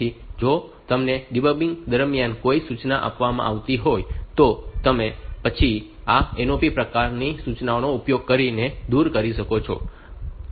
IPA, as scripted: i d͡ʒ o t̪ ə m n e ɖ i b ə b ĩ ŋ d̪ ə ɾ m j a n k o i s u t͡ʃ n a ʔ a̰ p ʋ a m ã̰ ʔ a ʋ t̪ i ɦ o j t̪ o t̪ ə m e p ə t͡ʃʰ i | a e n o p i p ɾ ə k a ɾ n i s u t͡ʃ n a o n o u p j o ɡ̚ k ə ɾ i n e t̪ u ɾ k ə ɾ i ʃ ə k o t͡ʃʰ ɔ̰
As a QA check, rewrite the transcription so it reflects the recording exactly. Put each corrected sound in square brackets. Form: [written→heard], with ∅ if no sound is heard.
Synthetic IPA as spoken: i d͡ʒ o t̪ ə m n e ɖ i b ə b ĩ ŋ d̪ ə ɾ m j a n k o i s u t͡ʃ n a ʔ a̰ p ʋ a m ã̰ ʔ a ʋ t̪ i ɦ o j t̪ o t̪ ə m e p ə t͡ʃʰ i | a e n o p i p ɾ ə k a ɾ n i s u t͡ʃ n a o n o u p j o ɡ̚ k ə ɾ i n e [t̪→d̪] u ɾ k ə ɾ i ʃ ə k o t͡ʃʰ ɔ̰